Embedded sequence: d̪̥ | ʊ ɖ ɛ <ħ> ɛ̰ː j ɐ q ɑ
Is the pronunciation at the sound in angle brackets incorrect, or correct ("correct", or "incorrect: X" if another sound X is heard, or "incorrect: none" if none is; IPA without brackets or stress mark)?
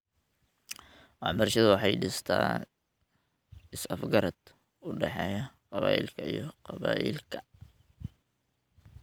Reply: correct